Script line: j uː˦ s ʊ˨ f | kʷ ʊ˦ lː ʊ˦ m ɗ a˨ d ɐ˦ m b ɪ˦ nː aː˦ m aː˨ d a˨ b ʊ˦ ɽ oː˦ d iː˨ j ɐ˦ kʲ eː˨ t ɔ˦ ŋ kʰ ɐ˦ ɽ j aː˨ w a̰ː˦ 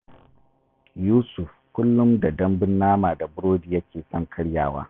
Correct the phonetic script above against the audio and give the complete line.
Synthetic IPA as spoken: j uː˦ s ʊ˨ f | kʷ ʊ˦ lː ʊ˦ m d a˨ d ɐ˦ m b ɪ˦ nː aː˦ m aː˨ d a˨ b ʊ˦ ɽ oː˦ d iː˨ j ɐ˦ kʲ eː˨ s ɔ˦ ŋ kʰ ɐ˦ ɽ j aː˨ w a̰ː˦